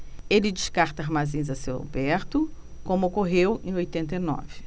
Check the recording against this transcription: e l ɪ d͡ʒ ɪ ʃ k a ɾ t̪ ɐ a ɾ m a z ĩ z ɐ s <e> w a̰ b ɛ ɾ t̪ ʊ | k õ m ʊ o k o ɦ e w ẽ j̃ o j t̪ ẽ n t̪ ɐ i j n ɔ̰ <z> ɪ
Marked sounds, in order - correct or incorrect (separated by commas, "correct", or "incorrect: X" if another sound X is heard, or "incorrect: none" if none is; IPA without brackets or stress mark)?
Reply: correct, incorrect: v